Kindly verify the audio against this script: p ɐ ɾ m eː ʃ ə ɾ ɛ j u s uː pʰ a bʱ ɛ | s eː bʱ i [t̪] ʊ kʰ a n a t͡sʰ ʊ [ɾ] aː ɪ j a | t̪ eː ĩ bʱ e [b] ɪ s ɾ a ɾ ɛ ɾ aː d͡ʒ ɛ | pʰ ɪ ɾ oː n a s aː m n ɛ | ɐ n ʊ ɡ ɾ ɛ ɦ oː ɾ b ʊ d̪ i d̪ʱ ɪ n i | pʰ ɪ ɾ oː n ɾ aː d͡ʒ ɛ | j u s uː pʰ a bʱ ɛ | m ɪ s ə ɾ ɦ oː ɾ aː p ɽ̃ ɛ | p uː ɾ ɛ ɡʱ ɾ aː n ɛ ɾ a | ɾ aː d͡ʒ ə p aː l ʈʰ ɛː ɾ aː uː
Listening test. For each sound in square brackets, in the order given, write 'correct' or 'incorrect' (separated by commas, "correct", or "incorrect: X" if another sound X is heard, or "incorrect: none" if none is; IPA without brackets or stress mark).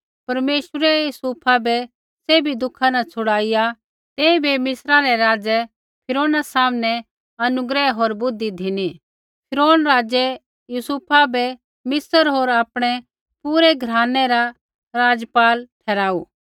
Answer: incorrect: d̪, incorrect: ɽ, incorrect: m